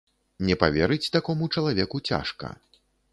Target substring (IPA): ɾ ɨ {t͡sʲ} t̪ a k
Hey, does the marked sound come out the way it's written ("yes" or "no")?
yes